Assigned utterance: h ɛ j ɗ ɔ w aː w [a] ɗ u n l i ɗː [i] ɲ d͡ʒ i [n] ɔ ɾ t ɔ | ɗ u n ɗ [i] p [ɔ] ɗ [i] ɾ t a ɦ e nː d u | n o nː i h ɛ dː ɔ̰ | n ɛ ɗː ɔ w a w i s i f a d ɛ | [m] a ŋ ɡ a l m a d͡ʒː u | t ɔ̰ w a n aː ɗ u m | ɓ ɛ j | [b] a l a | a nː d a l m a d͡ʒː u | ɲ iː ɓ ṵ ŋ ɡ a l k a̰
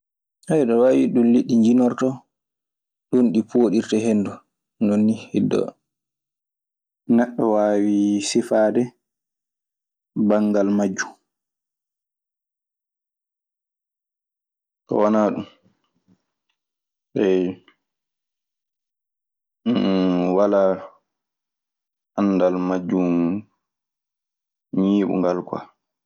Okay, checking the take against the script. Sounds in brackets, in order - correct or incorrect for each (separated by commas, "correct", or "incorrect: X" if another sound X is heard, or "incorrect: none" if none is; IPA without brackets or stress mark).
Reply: incorrect: i, correct, correct, correct, incorrect: o, correct, incorrect: b, incorrect: w